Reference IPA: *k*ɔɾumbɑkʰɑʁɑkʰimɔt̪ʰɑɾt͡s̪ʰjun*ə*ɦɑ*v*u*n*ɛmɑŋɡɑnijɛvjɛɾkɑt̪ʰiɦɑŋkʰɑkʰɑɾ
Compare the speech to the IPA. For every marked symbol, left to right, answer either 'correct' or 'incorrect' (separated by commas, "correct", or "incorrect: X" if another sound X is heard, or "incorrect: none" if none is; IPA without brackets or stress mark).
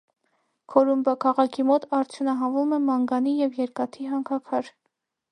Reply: incorrect: kʰ, incorrect: ɑ, correct, incorrect: m